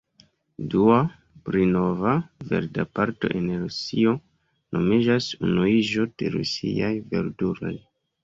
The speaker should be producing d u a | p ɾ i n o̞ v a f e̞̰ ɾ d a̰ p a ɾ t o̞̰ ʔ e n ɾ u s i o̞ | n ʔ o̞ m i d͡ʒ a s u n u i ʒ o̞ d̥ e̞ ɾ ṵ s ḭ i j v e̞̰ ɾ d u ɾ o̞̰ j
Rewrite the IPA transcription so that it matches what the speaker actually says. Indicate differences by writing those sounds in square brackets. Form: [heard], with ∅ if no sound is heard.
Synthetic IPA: d u a | p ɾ i n o̞ v a [v] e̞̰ ɾ d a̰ p a ɾ t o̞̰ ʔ e n ɾ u s i o̞ | n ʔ o̞ m i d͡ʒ a s u n u i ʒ o̞ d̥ e̞ ɾ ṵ s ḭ [a] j v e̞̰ ɾ d u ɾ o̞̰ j